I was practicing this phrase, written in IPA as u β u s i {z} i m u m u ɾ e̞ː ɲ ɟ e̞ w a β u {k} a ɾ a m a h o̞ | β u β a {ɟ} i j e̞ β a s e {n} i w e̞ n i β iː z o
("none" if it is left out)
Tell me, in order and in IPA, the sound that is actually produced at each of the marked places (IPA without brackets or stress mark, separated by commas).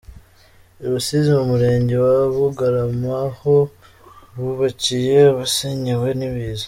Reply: z, ɡ, c, ɲ